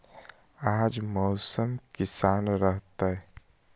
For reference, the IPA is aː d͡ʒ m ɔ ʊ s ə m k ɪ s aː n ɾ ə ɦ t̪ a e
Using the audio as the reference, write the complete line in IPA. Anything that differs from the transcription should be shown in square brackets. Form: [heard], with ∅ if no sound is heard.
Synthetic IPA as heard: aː d͡ʒ m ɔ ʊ s ə m k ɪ s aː n ɾ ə ɦ t̪ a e